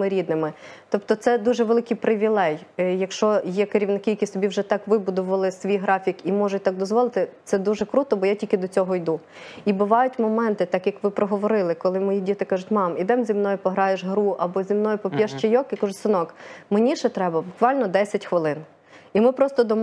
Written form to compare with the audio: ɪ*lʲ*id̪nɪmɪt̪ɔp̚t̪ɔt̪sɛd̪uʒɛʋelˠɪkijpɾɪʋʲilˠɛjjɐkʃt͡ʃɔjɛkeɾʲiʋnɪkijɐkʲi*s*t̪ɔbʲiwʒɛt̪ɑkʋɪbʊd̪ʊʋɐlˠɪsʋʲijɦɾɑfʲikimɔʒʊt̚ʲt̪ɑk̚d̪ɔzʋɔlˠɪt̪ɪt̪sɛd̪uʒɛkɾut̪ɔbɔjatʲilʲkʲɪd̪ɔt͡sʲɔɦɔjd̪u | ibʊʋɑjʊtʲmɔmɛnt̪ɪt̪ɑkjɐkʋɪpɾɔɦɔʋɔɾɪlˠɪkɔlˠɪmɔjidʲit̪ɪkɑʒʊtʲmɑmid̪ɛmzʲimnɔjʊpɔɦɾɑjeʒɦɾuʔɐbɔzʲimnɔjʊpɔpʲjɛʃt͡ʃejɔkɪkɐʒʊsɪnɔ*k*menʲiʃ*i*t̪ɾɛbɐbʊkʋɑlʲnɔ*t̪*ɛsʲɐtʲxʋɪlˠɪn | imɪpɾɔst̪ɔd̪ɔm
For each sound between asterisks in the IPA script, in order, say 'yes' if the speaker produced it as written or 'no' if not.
no, yes, yes, no, no

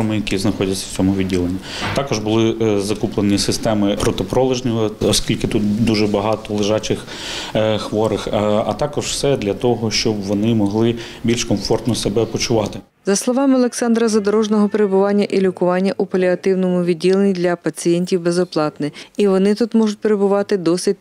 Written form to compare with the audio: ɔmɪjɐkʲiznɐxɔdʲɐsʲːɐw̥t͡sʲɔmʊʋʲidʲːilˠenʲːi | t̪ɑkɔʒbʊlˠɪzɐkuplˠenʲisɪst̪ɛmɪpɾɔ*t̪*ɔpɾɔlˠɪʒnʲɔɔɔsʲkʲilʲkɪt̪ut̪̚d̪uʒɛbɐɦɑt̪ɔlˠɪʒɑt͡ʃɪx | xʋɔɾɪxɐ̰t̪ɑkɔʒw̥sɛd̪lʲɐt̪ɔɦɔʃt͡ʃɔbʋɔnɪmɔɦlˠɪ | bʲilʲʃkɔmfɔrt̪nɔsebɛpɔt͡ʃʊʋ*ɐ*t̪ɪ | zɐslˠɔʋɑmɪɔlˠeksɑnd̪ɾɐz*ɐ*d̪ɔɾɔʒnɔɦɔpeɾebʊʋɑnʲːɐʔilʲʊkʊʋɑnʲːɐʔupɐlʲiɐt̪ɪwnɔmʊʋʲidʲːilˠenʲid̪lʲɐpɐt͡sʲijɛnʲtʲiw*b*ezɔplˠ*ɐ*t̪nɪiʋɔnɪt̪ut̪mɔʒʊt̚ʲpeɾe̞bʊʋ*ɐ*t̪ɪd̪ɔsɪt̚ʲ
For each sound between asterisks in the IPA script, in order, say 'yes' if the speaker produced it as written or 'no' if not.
yes, no, yes, yes, no, no

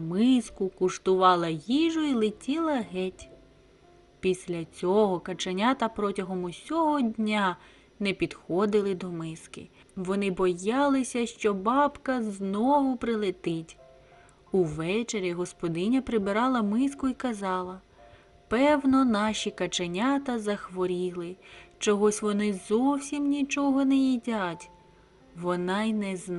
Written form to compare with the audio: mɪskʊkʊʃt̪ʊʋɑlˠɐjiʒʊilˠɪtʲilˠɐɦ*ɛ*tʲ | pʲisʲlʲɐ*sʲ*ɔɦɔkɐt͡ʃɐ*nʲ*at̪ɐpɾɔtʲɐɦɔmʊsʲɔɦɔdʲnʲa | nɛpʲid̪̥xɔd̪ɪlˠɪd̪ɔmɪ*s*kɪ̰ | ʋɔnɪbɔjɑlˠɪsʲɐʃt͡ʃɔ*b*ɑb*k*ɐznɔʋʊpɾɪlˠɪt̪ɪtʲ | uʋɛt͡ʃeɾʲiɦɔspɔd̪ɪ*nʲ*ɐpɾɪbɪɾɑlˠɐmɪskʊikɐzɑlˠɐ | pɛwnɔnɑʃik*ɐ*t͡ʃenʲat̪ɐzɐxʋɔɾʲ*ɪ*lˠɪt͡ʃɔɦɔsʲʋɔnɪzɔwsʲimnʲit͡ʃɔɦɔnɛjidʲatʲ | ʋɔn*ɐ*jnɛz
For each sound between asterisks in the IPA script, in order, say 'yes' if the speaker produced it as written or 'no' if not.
yes, no, yes, yes, yes, yes, yes, yes, no, no

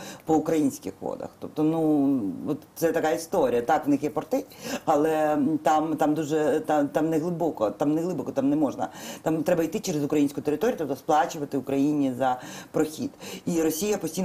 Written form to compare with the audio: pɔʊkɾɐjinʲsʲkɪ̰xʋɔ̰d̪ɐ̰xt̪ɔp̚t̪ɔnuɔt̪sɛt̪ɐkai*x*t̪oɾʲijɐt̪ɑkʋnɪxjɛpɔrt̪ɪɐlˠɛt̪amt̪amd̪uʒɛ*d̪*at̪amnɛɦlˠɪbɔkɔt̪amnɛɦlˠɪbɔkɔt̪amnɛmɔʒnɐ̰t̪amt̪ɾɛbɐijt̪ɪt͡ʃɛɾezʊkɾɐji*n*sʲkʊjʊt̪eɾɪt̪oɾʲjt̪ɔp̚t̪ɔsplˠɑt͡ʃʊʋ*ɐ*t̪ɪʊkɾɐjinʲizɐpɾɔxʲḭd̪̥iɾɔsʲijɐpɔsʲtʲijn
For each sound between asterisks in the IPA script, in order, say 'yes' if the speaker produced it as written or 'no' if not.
no, no, yes, yes

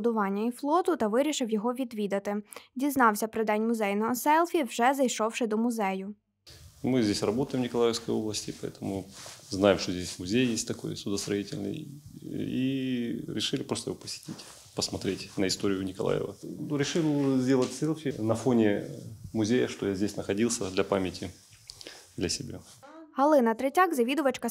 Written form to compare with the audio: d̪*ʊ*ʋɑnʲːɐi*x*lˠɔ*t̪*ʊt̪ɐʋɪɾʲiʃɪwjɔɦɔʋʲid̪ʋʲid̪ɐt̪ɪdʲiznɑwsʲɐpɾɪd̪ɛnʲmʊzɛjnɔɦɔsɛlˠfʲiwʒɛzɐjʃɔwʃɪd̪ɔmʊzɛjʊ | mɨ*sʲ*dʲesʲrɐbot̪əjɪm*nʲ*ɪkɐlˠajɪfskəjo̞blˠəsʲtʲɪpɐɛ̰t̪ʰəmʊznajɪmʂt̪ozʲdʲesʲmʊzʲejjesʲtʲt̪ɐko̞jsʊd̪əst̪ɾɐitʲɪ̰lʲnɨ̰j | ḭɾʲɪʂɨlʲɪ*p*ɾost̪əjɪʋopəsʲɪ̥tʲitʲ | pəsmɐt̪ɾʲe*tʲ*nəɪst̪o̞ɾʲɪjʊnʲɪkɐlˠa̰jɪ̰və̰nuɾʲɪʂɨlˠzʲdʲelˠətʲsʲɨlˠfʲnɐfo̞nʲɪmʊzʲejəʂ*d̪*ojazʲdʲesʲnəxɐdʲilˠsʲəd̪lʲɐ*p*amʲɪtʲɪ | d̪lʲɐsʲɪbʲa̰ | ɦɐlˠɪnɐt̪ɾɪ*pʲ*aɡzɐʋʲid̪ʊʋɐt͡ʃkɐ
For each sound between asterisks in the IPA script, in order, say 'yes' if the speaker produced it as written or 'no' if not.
yes, no, yes, no, yes, yes, yes, no, yes, no

